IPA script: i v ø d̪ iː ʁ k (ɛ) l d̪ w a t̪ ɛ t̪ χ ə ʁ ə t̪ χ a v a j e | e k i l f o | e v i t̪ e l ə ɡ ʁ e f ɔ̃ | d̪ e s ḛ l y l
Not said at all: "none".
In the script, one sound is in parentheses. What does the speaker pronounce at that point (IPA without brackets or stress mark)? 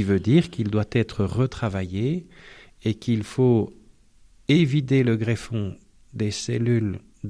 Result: i